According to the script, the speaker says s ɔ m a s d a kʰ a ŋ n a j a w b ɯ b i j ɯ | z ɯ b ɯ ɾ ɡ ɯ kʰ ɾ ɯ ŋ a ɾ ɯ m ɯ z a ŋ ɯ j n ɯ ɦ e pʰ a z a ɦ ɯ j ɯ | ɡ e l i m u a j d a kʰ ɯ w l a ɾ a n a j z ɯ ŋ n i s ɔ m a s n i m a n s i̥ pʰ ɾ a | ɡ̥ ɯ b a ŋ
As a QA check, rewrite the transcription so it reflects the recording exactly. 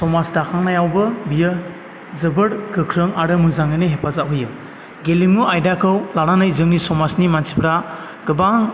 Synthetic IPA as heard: s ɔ m a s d a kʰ a ŋ n a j a w b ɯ b i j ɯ | z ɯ b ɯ ɾ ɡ ɯ kʰ ɾ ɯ ŋ a ɾ ɯ m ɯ z a ŋ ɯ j n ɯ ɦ e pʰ a z a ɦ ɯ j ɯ | ɡ e l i m u a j d a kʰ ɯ w l a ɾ a n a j z ɯ ŋ n i s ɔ m a s n i m a n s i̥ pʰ ɾ a | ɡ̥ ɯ b a ŋ